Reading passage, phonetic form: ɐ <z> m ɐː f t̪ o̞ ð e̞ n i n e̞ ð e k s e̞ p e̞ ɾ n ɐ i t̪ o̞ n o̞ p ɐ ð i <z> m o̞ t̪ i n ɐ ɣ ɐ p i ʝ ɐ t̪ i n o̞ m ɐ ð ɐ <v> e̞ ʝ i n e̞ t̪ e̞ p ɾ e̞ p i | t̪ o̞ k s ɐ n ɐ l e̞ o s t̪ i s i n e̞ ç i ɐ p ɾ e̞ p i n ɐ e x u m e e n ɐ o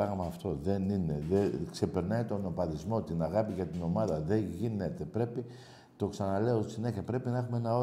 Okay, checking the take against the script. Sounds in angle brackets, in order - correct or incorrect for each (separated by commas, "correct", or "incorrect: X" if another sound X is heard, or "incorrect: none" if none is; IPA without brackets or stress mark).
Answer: incorrect: ɣ, correct, incorrect: ð